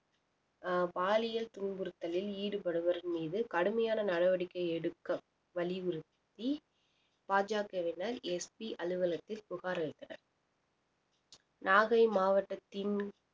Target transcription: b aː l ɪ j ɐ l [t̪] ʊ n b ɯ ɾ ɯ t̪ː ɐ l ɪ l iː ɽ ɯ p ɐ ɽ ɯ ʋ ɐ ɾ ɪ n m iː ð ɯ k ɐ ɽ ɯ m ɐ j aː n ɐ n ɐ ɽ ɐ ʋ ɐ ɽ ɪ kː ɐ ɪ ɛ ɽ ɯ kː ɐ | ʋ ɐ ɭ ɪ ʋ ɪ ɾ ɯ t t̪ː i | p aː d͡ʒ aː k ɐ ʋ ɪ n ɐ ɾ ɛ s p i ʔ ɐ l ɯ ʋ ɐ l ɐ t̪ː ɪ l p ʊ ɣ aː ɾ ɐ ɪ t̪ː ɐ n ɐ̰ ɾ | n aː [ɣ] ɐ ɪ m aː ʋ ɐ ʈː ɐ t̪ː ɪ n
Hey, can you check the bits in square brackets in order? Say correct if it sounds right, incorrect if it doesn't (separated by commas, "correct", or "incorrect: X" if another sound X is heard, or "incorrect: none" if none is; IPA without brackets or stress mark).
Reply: correct, correct